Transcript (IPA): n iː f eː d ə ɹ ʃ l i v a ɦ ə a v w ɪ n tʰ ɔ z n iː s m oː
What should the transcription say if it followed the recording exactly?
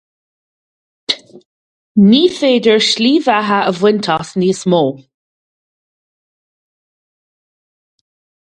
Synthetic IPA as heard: n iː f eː d ə ɹ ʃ l iː v a ɦ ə ə v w ɪ n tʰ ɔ s n iː s m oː